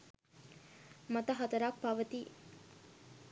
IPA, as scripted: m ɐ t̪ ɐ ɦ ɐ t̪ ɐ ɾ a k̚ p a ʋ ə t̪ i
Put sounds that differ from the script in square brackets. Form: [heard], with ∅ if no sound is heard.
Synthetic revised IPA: m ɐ t̪ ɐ ɦ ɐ t̪ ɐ ɾ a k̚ p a ʋ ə t̪ i